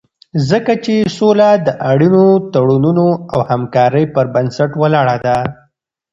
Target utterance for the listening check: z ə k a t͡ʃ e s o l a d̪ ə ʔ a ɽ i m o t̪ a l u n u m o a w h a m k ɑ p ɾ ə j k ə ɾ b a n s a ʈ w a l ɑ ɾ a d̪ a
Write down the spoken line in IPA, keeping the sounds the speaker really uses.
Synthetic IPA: z ə k a t͡ʃ e s o l a d̪ ə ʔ a ɽ i n o t̪ a ɽ u n u n o a w h a m k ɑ ɾ ə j p ə ɾ b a n s a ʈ w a l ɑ ɽ a d̪ a